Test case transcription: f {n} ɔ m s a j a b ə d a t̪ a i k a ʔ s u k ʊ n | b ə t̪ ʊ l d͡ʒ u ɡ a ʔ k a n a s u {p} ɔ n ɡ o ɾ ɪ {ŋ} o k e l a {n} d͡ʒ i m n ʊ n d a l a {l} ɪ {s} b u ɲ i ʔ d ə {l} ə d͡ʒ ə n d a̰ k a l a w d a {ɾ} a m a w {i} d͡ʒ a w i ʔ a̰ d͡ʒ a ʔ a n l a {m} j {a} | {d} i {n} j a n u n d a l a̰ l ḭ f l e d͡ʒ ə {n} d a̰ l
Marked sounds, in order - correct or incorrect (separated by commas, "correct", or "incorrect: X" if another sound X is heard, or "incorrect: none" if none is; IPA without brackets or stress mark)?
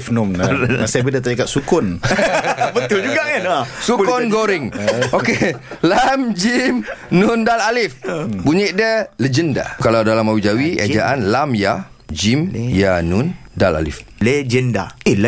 correct, incorrect: k, correct, incorrect: m, correct, incorrect: f, correct, incorrect: l, correct, correct, correct, incorrect: d͡ʒ, incorrect: m, correct